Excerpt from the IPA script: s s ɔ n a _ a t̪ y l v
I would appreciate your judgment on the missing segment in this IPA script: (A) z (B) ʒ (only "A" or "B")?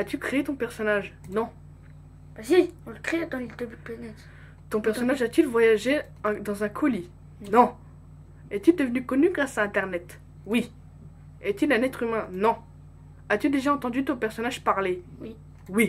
B